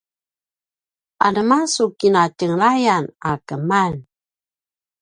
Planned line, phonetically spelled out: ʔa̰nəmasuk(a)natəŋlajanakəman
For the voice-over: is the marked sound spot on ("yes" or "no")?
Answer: no